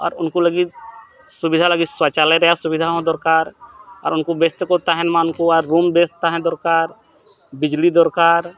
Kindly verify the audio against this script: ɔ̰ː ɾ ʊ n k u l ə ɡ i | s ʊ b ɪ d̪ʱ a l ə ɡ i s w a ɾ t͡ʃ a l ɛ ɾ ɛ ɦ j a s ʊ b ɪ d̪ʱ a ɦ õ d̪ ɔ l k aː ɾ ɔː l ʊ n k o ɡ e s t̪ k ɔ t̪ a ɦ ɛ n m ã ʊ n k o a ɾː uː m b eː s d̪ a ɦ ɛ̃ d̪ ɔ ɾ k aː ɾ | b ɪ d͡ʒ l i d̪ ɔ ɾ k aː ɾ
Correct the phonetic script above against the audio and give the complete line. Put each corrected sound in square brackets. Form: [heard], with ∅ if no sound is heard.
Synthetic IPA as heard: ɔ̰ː ɾ ʊ n k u l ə ɡ i | s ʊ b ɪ d̪ʱ a l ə ɡ i s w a [∅] t͡ʃ a l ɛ ɾ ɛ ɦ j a s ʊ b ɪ d̪ʱ a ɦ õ d̪ ɔ [ɾ] k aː ɾ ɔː [ɾ] ʊ n k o [b] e s t̪ k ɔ t̪ a ɦ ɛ n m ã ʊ n k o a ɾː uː m b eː s [t̪] a ɦ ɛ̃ d̪ ɔ ɾ k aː ɾ | b ɪ d͡ʒ l i d̪ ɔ ɾ k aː ɾ